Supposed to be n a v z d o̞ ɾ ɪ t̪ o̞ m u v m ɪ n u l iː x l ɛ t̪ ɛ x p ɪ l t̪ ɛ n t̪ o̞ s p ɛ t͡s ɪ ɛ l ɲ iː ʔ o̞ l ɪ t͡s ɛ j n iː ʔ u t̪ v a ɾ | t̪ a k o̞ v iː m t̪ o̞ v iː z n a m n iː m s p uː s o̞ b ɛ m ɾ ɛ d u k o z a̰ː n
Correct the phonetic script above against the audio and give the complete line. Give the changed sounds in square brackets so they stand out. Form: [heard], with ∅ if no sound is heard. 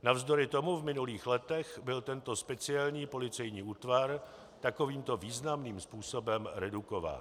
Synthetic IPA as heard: n a v z d o̞ ɾ ɪ t̪ o̞ m u v m ɪ n u l iː x l ɛ t̪ ɛ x [b] ɪ l t̪ ɛ n t̪ o̞ s p ɛ t͡s ɪ ɛ l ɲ iː [p] o̞ l ɪ t͡s ɛ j [ɲ] iː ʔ [uː] t̪ v a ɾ | t̪ a k o̞ v iː m t̪ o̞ v iː z n a m n iː m s p uː s o̞ b ɛ m ɾ ɛ d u k o [v] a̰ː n